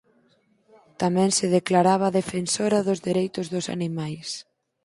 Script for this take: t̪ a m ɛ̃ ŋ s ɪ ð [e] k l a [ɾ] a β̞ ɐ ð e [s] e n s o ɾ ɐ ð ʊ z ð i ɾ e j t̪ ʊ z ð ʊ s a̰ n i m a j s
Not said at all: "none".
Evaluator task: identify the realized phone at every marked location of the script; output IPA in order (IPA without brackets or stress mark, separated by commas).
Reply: e, ɾ, f